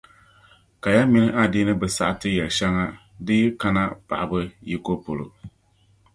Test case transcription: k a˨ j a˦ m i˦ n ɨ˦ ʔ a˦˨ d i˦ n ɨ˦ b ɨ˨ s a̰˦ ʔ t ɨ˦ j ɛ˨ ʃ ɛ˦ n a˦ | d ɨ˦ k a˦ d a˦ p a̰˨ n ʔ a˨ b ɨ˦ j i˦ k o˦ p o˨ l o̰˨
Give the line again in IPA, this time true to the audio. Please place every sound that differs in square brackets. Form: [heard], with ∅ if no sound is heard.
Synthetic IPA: k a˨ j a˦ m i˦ n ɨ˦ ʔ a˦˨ d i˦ n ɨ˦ b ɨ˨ s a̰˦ ʔ t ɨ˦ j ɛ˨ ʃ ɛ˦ [ŋ] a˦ | d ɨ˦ k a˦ [n] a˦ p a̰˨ [∅] ʔ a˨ b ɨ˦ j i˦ k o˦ p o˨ l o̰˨